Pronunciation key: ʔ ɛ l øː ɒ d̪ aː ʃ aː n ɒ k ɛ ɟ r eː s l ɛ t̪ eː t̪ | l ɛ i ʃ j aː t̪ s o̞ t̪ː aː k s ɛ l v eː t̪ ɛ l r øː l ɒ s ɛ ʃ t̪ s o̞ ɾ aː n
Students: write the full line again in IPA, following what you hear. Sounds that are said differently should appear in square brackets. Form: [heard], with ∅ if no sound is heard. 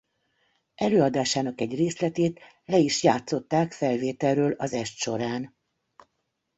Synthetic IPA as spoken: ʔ ɛ l øː ɒ d̪ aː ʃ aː n ɒ k ɛ ɟ r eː s l ɛ t̪ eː t̪ | l ɛ i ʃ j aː t̪ s o̞ t̪ː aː k [f] ɛ l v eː t̪ ɛ l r øː l ɒ [z] ɛ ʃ t̪ [ʃ] o̞ ɾ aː n